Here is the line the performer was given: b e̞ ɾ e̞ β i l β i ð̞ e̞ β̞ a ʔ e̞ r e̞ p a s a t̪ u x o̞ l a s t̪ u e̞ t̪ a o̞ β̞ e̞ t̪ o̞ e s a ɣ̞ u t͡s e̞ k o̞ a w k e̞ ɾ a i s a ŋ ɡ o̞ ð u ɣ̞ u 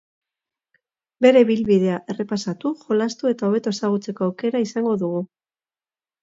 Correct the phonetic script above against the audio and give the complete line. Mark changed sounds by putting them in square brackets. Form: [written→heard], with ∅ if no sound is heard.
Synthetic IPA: b e̞ ɾ e̞ β i l β i ð̞ e̞ [β̞→∅] a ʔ e̞ r e̞ p a s a t̪ u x o̞ l a s t̪ u e̞ t̪ a o̞ β̞ e̞ t̪ o̞ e s a ɣ̞ u t͡s e̞ k o̞ a w k e̞ ɾ a i s a ŋ ɡ o̞ ð u ɣ̞ u